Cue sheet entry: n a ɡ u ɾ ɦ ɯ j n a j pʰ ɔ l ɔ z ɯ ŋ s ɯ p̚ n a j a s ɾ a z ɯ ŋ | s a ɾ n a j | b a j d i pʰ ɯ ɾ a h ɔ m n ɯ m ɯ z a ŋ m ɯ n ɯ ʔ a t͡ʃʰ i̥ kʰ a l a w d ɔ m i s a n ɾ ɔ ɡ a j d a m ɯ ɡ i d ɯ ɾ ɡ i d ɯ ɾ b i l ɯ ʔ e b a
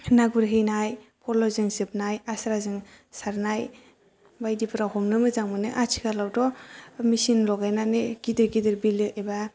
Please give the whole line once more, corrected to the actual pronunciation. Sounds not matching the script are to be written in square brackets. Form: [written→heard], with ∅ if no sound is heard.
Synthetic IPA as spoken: n a ɡ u ɾ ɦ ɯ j n a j pʰ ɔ l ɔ z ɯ ŋ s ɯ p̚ n a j a s ɾ a z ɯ ŋ | s a ɾ n a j | b a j d i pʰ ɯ ɾ a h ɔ m n ɯ m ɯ z a ŋ m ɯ n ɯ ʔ a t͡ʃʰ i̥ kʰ a l a w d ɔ m i s [a→i] n [ɾ→l] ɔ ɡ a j [d→n] a [m→n] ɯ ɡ i d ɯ ɾ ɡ i d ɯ ɾ b i l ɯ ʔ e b a